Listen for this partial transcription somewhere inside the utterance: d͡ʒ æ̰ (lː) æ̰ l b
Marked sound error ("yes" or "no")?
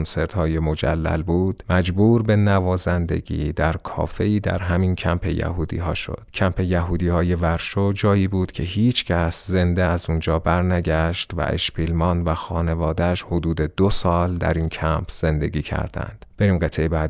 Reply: no